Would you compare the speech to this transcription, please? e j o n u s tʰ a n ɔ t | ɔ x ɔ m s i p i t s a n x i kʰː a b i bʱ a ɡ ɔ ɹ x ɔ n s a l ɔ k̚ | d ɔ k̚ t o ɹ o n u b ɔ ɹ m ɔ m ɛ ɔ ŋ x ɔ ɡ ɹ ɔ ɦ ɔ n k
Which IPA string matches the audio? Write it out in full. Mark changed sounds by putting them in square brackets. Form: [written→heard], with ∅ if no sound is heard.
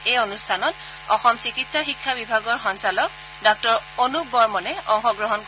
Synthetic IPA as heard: e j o n u s tʰ a n ɔ t | ɔ x ɔ m s i [p→k] i t s a [n→∅] x i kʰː a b i bʱ a ɡ ɔ ɹ x ɔ n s a l ɔ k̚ | d ɔ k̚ t [o→ɔ] ɹ o n u b ɔ ɹ m ɔ [m→n] ɛ ɔ ŋ x ɔ ɡ ɹ ɔ ɦ ɔ n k